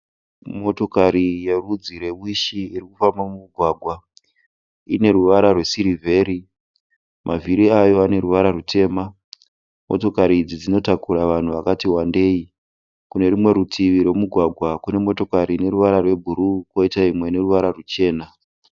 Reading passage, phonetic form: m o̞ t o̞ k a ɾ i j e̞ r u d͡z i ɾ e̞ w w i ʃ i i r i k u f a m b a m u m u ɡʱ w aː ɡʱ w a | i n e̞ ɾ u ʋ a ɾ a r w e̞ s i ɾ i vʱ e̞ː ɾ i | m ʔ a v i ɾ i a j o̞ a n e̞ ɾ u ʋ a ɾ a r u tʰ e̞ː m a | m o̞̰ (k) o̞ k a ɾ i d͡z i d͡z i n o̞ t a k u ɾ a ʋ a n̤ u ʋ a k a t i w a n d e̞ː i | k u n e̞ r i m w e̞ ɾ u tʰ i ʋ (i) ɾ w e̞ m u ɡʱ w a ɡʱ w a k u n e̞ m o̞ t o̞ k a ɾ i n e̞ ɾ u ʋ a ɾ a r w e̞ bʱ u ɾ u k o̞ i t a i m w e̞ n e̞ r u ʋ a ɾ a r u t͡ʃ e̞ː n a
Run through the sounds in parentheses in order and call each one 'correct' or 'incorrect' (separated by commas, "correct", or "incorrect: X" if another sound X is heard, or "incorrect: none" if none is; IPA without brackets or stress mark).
incorrect: t, correct